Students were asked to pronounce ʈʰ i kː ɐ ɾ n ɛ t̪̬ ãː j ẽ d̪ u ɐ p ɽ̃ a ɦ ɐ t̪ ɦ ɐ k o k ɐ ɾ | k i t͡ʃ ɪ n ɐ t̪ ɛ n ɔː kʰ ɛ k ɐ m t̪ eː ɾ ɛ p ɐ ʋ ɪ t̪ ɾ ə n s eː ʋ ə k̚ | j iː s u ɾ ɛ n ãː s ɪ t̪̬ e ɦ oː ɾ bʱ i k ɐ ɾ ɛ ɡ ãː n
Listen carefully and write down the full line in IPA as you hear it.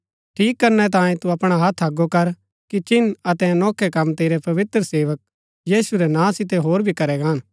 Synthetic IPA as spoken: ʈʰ iː kː ɐ ɾ n ɛ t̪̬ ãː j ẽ t̪ u ɐ p ɽ̃ a ɦ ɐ t̪ʰ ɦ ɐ ɡ o k ɐ ɾ | k i t͡ʃ ɪ n ɐ t̪ ɛ n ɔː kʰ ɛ k ɐ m t̪ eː ɾ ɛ p ɐ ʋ ɪ t̪ ɾ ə s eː ʋ ə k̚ | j iː s u ɾ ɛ n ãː s ɪ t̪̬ e ɦ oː ɾ bʱ i k ɐ ɾ ɛ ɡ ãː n

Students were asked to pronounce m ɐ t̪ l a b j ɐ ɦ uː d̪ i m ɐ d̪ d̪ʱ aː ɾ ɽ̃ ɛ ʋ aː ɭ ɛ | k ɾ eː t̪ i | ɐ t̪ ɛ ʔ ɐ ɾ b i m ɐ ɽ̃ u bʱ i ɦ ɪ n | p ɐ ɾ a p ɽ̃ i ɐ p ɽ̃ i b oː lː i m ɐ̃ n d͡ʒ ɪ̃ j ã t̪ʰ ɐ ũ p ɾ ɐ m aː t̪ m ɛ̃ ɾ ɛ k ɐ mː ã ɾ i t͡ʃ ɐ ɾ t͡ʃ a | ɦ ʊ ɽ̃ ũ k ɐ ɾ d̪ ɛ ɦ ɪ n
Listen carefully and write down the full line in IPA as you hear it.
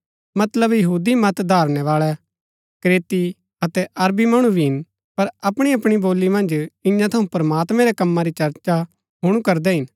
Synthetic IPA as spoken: m ɐ t̪ l ə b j ɐ ɦ uː d̪ i m ɐ t̪ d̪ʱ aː ɾ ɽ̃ ɛ ʋ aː ɭ ɛ | k ɾ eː t̪ i | ɐ t̪ ɛ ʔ ɐ ɾ b i m ɐ ɽ̃ u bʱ i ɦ ɪ n | p ɐ ɾ ɐ p ɽ̃ i ɐ p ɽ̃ i b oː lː i m ɐ̃ n d͡ʒ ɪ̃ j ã t̪ʰ ɐ ũ p ɾ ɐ m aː t̪ m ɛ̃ ɾ ɛ k ɐ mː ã ɾ i t͡ʃ ɐ ɾ t͡ʃ a | ɦ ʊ ɽ̃ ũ k ɐ ɾ d̪ ɛ ɦ ɪ n

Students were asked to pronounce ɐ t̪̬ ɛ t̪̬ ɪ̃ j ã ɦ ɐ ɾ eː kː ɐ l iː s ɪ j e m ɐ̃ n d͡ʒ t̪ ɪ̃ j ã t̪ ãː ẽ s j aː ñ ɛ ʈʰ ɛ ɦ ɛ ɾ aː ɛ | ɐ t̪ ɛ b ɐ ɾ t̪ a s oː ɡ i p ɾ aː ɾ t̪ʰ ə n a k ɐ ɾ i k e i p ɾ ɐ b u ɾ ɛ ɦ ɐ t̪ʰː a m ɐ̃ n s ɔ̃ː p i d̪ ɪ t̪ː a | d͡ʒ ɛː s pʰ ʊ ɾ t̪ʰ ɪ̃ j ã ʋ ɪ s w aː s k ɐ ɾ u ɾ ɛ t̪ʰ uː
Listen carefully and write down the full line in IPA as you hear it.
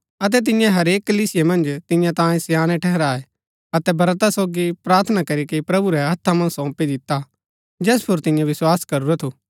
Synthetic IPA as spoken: ɐ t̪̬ ɛ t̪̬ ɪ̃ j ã ɦ ɐ ɾ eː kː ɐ l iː s ɪ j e m ɐ̃ n d͡ʒ t̪ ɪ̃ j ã t̪ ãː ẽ s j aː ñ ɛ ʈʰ ɛ ɦ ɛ ɾ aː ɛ | ɐ t̪ ɛ b ɐ ɾ t̪ a s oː ɡ i p ɾ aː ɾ t̪ʰ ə n a k ɐ ɾ i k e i p ɾ ɐ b u ɾ ɛ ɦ ɐ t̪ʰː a m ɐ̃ n s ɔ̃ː p i d̪ ɪ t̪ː a | d͡ʒ ɛː s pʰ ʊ ɾ t̪ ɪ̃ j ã ʋ ɪ s w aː s k ɐ ɾ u ɾ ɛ t̪ʰ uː

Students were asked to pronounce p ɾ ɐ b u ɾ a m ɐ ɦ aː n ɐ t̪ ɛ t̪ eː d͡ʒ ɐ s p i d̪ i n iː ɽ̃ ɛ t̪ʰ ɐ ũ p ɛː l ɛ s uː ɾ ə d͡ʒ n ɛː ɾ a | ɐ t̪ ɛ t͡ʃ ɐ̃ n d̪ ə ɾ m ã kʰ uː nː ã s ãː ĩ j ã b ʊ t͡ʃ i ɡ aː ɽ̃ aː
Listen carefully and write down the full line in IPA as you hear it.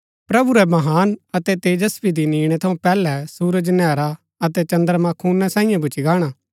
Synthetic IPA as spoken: p ɾ ɐ b u ɾ ɛ m ɐ ɦ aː n ɐ t̪ ɛ t̪ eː d͡ʒ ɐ s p i d̪ i n iː ɽ̃ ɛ t̪ʰ ɐ ũ p ɛː l ɛ s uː ɾ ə d͡ʒ n ɛː ɾ a | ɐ t̪ ɛ t͡ʃ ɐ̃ n d̪ ə ɾ m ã kʰ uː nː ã s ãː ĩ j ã b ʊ t͡ʃ i ɡ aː ɽ̃ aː

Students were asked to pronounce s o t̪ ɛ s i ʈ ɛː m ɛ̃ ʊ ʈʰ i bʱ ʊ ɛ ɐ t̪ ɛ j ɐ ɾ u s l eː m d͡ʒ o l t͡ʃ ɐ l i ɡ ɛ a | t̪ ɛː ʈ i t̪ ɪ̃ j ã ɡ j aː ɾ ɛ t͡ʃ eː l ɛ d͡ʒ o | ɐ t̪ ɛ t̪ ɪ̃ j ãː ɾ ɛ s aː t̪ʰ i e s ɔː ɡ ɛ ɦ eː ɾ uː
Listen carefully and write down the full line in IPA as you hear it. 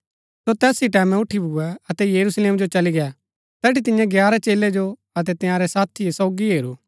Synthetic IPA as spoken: s o t̪ ɛː s i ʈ ɛː m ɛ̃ ʊ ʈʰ i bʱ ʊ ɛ ɐ t̪ ɛ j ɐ ɾ u s l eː m d͡ʒ o t͡ʃ ɐ l i ɡ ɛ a | t̪ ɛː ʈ i t̪ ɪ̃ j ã ɡ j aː ɾ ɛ t͡ʃ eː l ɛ d͡ʒ o | ɐ t̪ ɛ t̪ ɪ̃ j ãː ɾ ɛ s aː t̪ʰ i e s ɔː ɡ i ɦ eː ɾ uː

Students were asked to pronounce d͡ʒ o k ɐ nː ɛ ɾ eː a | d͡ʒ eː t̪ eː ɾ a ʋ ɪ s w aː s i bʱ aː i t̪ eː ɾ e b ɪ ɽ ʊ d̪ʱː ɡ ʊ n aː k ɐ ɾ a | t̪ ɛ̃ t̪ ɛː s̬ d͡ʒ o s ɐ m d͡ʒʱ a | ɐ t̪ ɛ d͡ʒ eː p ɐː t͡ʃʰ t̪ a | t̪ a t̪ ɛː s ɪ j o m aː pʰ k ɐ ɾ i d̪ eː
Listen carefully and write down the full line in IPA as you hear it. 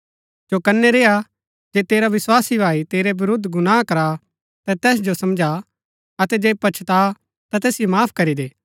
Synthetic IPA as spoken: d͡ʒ o k ɐ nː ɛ ɾ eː a | d͡ʒ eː t̪ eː ɾ a ʋ ɪ s w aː s i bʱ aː i t̪ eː ɾ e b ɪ ɾ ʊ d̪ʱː ɡ ʊ n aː k ɐ ɾ a | t̪ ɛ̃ t̪ ɛː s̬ d͡ʒ o s ɐ m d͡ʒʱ a | ɐ t̪ ɛ d͡ʒ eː p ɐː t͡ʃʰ t̪ a | t̪ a t̪ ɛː s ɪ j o m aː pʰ k ɐ ɾ i d̪ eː

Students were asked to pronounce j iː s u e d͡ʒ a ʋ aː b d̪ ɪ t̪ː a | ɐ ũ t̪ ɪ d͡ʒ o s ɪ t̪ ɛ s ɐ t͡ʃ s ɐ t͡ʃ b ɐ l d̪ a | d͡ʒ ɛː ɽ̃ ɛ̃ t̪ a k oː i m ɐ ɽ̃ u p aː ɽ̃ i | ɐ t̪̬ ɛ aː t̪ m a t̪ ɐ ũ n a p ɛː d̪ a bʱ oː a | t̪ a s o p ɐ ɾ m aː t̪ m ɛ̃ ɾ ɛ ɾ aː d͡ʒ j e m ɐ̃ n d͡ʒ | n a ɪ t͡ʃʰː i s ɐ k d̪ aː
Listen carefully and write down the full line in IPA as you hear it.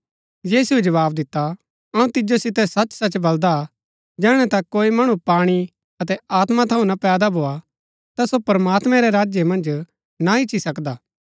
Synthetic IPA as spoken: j iː s u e d͡ʒ ɐ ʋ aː b d̪ ɪ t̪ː a | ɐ ũ t̪ ɪ d͡ʒ o s ɪ t̪ ɛ s ɐ t͡ʃ s ɐ t͡ʃ b ɐ l d̪ a | d͡ʒ ɛː ɽ̃ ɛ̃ t̪ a k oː i m ɐ ɽ̃ u p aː ɽ̃ i | ɐ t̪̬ ɛ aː t̪ m a t̪ʰ ɐ ũ n a p ɛː d̪ a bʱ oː a | t̪ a s o p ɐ ɾ m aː t̪ m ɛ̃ ɾ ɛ ɾ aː d͡ʒ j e m ɐ̃ n d͡ʒ | n a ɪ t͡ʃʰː i s ɐ k d̪ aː

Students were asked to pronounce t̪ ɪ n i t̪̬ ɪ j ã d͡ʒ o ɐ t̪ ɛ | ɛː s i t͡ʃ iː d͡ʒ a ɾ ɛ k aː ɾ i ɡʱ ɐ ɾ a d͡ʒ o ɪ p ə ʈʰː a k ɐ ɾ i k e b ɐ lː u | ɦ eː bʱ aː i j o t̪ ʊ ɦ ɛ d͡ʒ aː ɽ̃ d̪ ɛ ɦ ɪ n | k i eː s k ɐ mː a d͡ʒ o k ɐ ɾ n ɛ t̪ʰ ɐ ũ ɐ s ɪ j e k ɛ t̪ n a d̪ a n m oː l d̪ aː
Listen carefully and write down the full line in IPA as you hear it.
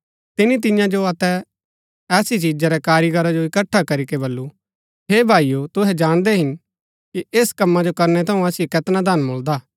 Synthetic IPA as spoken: t̪ ɪ n i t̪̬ ɪ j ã d͡ʒ o ɐ t̪ ɛ | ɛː s i t͡ʃ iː d͡ʒ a ɾ ɛ k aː ɾ i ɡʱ ɐ ɾ a d͡ʒ o ɪ k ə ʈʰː a k ɐ ɾ i k e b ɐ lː u | ɦ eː bʱ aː i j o t̪ ʊ ɦ ɛ d͡ʒ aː ɽ̃ d̪ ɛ ɦ ɪ n | k i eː s k ɐ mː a d͡ʒ o k ɐ ɾ n ɛ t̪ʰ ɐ ũ ɐ s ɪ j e k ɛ t̪ n a d̪ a n m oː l d̪ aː

